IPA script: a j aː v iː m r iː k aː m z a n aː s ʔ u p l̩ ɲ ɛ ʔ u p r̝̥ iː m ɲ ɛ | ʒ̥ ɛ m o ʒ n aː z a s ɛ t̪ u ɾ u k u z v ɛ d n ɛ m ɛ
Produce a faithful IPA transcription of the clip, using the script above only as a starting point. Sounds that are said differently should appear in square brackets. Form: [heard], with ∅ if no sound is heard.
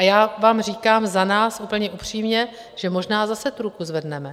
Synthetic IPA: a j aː v [aː] m r iː k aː m z a n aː s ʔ u p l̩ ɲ ɛ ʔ u p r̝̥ iː m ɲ ɛ | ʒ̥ ɛ m o ʒ n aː z a s ɛ t̪ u ɾ u k u z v ɛ d n ɛ m ɛ